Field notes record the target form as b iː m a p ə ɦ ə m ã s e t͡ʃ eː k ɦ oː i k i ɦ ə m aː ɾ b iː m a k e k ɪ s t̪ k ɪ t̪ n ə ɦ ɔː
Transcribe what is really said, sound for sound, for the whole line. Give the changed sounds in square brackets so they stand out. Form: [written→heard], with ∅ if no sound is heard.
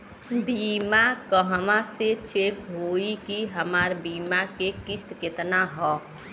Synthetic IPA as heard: b iː m a [p→k] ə ɦ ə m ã s e t͡ʃ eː k ɦ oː i k i ɦ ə m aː ɾ b iː m a k e k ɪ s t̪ k ɪ t̪ n [ə→a] ɦ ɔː

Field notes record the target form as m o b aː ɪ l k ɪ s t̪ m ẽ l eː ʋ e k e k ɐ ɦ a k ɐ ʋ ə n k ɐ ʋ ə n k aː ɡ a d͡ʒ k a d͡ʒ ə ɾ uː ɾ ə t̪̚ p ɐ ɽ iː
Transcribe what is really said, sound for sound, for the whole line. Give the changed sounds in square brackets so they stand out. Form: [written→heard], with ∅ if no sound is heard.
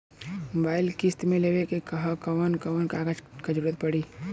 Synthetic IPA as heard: m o b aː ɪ l k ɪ s t̪ m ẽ l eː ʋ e k e k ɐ ɦ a k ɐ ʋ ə n k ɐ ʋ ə n k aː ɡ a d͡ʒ k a d͡ʒ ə ɾ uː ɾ ə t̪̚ p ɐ ɽ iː

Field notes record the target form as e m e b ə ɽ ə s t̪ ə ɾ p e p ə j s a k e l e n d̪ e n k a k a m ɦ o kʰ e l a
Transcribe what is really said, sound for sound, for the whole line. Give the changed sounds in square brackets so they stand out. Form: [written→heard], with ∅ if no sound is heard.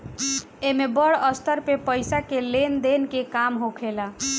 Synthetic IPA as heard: e m e b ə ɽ ə s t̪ ə ɾ p e p ə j s a k e l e n d̪ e n k [a→e] k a m ɦ o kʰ e l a

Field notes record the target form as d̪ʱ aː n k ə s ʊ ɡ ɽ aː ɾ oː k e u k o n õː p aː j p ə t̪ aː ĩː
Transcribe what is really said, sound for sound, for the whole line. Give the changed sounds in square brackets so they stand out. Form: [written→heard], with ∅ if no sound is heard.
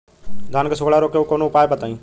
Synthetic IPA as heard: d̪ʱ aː n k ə s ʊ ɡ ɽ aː ɾ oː k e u k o n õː p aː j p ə t̪ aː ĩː

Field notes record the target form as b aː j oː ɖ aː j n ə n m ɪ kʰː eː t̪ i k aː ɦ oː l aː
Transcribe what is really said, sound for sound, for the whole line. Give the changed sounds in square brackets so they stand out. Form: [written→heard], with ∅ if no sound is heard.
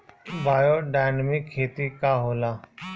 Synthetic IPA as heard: b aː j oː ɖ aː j n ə [n→∅] m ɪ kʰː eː t̪ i k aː ɦ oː l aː

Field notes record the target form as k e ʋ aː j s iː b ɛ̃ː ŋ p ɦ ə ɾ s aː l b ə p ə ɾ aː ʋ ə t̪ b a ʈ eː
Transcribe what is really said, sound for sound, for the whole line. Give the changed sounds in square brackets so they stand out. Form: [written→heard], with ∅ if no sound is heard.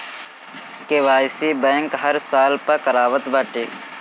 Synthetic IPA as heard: k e ʋ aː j s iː b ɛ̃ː ŋ [p→k] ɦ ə ɾ s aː l [b→p] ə [p→k] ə ɾ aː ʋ ə t̪ b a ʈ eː

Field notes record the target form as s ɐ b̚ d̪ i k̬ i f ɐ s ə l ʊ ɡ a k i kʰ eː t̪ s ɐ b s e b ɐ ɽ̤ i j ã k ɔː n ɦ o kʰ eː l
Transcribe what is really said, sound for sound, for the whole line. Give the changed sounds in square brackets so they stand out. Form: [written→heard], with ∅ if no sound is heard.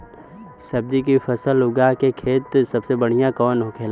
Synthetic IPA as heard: s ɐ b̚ d̪ i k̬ i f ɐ s ə l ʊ ɡ a k [i→e] kʰ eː t̪ s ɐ b s e b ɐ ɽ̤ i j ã k ɔː n ɦ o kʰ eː l

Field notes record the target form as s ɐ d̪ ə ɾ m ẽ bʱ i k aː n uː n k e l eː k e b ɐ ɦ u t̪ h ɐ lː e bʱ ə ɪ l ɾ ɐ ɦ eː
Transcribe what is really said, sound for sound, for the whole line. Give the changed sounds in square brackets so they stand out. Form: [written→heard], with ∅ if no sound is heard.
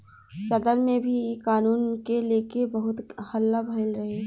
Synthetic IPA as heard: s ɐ d̪ ə ɾ m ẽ bʱ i k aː n uː n k e l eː k e b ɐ ɦ [u→ʊ] t̪ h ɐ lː [e→a] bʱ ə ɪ l ɾ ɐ ɦ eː

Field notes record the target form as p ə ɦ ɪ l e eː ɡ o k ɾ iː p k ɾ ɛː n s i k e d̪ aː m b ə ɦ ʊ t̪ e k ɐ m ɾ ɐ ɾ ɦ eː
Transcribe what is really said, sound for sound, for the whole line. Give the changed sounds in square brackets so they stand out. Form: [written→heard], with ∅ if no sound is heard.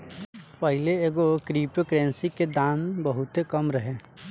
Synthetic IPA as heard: p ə ɦ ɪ l e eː ɡ o k ɾ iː p k ɾ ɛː n s i k e d̪ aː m b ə ɦ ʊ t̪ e k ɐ m ɾ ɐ [ɾ→∅] ɦ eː

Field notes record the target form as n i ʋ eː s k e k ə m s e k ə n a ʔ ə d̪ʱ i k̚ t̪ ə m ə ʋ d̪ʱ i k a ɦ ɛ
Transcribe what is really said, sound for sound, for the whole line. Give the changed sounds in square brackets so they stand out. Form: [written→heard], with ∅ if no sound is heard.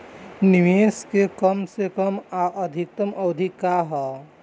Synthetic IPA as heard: n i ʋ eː s k e k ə m s e k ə [n→m] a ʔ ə d̪ʱ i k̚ t̪ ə m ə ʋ d̪ʱ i k a ɦ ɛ

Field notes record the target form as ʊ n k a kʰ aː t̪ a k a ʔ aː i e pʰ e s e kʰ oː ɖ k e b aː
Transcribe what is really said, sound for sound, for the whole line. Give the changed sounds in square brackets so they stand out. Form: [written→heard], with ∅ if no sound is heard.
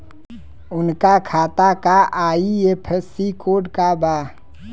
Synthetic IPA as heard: ʊ n k a kʰ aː t̪ a k a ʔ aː i e pʰ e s [e→i] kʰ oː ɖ k [e→a] b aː

